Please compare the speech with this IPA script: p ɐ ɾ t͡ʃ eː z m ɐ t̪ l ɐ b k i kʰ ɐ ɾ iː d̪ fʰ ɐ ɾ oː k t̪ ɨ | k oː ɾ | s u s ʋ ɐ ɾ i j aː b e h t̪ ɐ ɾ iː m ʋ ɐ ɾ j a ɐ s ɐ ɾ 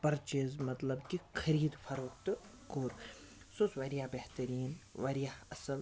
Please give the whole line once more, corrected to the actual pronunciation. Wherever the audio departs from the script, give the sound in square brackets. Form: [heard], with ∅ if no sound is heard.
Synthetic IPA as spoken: p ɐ ɾ t͡ʃ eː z m ɐ t̪ l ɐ b k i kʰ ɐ ɾ iː d̪ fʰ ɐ ɾ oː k t̪ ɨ | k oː ɾ | s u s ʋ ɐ ɾ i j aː b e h t̪ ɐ ɾ iː [n] ʋ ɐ ɾ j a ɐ s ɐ [l]